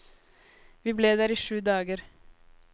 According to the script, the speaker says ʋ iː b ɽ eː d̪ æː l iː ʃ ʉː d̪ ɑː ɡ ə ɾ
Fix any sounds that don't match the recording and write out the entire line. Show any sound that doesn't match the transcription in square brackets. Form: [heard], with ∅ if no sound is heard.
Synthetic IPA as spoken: ʋ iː b [l] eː d̪ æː [ɾ] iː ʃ ʉː d̪ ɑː ɡ ə ɾ